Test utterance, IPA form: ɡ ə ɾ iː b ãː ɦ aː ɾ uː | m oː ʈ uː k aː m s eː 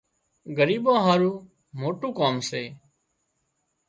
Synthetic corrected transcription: ɡ ə ɾ iː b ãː ɦ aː ɾ uː | m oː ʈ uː k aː m s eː